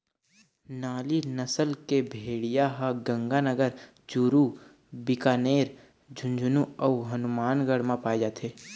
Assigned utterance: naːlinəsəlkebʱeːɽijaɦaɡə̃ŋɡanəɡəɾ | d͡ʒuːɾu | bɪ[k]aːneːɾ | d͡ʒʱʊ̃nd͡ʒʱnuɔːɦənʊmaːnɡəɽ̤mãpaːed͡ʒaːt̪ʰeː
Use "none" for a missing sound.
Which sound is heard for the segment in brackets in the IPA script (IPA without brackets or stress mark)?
k